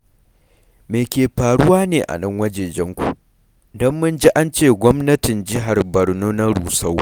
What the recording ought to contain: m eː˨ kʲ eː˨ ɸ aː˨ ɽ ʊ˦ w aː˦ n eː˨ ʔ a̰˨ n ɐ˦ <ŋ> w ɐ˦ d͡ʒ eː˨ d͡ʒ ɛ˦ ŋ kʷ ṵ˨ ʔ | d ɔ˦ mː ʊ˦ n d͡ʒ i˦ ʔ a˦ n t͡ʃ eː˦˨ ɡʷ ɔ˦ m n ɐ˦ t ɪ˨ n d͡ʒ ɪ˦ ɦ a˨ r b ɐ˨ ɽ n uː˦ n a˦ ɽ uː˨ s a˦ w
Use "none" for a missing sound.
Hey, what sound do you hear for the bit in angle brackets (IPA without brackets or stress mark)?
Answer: ŋ